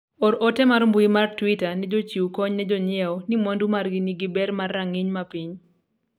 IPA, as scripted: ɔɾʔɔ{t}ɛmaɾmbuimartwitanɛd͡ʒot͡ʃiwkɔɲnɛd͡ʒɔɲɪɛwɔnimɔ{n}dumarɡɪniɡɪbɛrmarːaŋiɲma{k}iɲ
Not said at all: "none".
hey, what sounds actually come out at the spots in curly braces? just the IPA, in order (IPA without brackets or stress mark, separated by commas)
t, n, p